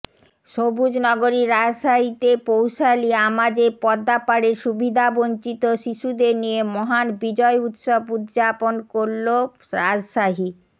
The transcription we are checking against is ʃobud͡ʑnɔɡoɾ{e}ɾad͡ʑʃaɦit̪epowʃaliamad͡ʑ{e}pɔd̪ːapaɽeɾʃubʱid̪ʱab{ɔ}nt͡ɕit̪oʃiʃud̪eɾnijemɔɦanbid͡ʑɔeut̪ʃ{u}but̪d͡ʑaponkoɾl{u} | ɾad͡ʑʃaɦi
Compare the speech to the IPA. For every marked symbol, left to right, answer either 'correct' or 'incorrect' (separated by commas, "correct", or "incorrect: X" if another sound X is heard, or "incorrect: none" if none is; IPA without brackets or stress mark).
incorrect: i, correct, incorrect: o, incorrect: o, incorrect: o